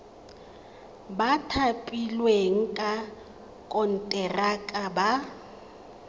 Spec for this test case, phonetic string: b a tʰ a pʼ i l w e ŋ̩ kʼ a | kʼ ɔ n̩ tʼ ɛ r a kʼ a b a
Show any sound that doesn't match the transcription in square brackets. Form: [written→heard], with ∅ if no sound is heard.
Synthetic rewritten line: b a tʰ a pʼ i l w e ŋ̩ kʼ a | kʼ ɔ n̩ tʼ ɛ r a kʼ a b a